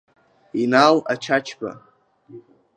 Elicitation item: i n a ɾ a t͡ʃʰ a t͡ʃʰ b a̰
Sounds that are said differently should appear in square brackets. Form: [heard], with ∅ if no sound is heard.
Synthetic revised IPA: i n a [l] a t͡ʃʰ a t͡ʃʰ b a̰